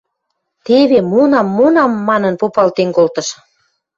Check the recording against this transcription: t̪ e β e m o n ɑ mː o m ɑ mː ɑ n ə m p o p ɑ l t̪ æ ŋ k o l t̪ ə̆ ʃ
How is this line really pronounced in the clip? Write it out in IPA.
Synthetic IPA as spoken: t̪ e β e m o n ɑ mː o n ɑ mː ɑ n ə n p o p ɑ l t̪ e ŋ k o l t̪ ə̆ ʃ